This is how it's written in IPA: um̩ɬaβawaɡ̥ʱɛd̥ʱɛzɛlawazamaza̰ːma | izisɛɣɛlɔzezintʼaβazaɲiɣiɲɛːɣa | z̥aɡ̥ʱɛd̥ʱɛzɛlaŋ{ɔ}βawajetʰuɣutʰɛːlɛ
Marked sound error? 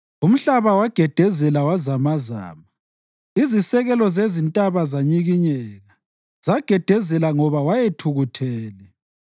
no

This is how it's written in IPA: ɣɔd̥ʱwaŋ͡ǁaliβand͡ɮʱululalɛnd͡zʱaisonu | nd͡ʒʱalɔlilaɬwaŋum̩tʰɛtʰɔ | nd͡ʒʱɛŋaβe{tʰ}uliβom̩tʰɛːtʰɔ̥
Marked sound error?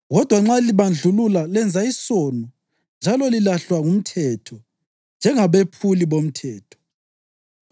yes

